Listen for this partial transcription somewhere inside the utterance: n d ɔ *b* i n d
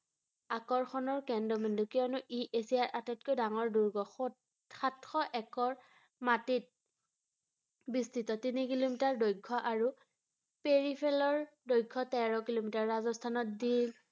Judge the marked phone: incorrect: m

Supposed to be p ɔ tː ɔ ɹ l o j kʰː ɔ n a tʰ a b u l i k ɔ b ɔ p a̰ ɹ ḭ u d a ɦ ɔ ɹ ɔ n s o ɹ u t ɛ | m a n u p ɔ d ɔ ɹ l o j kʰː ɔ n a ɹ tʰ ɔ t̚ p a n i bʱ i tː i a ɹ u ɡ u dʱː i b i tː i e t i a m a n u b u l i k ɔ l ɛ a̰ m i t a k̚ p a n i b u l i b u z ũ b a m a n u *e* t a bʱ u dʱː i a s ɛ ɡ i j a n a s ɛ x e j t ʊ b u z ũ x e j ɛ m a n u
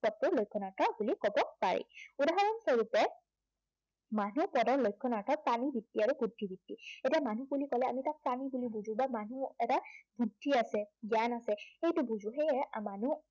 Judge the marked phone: incorrect: ɛ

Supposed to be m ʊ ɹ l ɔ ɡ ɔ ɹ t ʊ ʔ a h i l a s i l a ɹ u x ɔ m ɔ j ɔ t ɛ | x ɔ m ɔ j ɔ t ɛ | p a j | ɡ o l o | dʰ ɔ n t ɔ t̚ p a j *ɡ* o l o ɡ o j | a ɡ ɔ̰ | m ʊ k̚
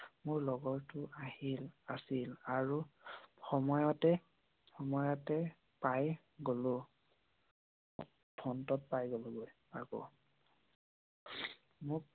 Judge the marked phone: correct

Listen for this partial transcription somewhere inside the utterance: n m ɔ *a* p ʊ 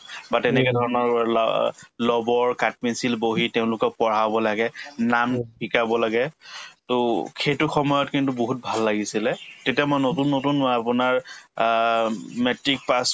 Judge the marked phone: correct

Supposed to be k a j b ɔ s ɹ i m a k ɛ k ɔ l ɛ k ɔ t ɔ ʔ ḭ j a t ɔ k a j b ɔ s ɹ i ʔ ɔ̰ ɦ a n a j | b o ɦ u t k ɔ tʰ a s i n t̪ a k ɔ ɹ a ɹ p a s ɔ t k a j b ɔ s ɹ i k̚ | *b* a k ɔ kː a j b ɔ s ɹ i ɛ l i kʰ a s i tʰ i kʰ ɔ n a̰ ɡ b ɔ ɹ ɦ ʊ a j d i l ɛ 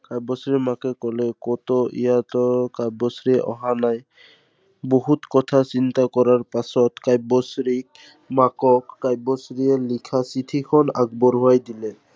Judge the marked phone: incorrect: m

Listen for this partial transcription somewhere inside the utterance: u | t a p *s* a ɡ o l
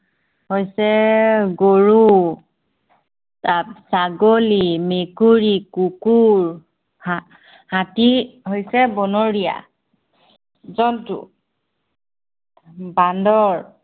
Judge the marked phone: correct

